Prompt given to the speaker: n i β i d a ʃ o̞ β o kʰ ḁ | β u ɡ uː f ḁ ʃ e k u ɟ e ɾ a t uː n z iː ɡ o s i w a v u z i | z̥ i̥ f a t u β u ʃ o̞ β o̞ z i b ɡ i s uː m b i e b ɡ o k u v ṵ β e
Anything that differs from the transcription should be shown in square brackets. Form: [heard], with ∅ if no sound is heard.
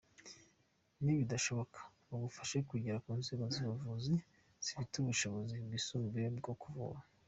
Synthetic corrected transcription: n i β i d a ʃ o̞ β o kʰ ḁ | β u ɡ [u] f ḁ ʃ e k u ɟ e ɾ a [k] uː n z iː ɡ o [z] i [β] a v u z i | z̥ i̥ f [i] t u β u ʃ o̞ β o̞ z i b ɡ i s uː m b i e b ɡ o k u v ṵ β [a]